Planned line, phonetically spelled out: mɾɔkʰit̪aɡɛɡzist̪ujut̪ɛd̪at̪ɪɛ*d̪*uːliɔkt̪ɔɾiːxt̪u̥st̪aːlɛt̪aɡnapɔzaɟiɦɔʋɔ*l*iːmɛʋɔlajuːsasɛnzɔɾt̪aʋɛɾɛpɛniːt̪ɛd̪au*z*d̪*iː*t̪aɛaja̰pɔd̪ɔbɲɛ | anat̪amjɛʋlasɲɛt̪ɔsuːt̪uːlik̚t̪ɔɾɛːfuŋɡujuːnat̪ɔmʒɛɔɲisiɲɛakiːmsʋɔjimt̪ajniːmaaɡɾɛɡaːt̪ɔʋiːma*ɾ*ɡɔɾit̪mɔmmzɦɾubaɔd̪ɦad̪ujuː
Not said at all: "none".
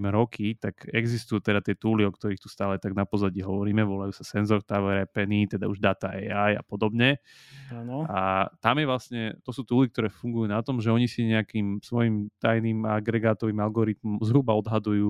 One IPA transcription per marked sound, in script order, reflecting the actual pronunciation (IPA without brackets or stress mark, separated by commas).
t̪, ɾ, ʒ, aː, l